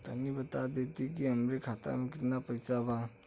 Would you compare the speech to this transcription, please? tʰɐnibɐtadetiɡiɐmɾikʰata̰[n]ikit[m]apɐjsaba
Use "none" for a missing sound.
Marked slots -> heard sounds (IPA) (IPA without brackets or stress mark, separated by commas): m, n